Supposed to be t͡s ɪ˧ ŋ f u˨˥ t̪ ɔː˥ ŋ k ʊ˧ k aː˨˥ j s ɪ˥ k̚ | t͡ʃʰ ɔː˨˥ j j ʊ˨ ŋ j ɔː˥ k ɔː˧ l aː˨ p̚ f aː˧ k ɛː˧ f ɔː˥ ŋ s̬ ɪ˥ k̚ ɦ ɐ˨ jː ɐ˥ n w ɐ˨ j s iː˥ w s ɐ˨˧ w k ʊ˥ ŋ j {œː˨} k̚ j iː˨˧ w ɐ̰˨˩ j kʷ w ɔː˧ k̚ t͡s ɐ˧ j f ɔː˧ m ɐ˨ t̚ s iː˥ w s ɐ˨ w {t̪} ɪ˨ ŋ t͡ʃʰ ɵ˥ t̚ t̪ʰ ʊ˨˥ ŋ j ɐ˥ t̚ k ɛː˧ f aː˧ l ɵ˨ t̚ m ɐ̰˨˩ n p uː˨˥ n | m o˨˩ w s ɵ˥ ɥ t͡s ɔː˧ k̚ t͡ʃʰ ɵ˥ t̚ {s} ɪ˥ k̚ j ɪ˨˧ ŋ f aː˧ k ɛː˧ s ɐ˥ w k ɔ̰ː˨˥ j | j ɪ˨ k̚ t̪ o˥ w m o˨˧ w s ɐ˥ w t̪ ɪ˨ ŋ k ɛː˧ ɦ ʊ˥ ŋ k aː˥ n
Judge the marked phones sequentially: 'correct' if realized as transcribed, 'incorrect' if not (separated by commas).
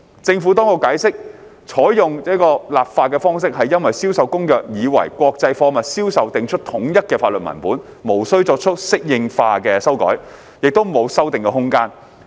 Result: correct, correct, correct